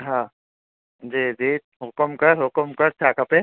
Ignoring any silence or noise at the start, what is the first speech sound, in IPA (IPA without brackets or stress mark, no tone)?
ɦ